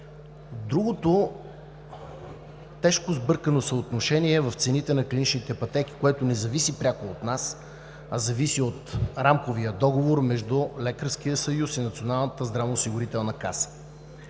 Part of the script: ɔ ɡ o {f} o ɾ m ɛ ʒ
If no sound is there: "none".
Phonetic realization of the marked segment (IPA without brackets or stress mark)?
v